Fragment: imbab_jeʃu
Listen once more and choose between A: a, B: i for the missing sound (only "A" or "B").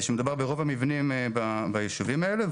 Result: A